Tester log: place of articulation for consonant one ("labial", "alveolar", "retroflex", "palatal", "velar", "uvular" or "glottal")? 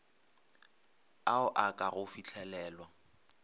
glottal